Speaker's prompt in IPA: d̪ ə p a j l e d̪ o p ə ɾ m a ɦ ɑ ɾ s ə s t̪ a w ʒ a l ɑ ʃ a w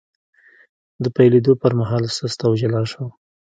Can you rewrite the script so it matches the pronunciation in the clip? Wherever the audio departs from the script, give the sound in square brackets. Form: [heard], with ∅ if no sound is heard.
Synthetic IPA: d̪ ə p a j l e d̪ o p ə ɾ m a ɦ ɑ [l] s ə s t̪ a w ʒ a l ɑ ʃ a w